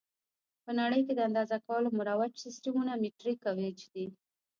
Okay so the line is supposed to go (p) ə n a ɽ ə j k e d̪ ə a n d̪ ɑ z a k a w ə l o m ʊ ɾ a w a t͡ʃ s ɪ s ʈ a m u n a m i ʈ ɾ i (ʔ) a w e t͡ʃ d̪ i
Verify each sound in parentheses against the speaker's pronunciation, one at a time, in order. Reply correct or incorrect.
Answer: correct, incorrect: k

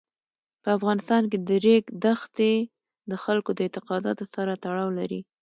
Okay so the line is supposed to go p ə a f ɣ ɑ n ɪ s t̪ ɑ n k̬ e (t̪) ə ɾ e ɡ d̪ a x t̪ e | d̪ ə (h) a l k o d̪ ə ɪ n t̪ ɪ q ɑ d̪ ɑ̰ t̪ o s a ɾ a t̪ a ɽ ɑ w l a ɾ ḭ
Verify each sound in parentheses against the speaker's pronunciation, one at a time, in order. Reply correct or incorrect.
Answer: incorrect: d̪, incorrect: x

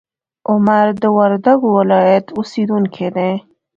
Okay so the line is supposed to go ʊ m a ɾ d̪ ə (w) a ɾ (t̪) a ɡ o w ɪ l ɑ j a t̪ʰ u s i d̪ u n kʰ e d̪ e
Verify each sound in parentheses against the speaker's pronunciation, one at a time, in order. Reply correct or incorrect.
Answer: correct, incorrect: d̪

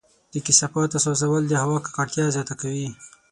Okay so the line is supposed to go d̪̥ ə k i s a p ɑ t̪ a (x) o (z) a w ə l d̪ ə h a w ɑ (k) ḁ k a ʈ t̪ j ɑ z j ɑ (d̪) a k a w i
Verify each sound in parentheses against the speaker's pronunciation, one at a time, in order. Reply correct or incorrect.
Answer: incorrect: s, correct, correct, incorrect: t̪

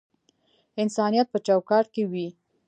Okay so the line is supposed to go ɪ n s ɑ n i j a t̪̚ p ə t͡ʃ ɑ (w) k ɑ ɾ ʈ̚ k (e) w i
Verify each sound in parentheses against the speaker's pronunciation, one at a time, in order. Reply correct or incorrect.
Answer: correct, correct

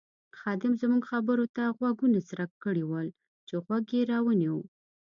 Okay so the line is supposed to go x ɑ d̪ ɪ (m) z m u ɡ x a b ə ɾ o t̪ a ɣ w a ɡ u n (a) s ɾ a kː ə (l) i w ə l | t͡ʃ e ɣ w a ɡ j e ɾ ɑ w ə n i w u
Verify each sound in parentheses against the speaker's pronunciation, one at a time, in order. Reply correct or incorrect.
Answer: correct, correct, incorrect: ɽ

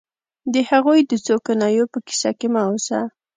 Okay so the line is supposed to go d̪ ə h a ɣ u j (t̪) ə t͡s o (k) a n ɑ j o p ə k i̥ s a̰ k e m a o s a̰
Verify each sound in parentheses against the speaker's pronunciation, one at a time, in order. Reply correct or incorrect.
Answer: incorrect: d̪, correct

